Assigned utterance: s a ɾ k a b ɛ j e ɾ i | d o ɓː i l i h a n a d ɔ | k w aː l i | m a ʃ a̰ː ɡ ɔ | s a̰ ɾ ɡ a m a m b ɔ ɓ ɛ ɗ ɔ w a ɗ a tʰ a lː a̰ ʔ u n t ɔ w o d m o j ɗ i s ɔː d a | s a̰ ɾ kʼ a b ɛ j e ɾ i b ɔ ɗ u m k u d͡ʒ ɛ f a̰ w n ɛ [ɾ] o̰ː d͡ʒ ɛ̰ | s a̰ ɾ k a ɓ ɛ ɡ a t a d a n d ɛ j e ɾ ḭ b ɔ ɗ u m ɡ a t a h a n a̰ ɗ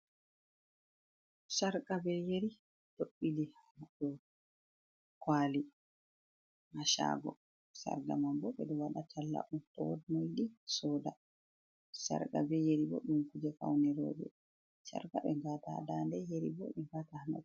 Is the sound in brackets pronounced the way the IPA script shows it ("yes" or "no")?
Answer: yes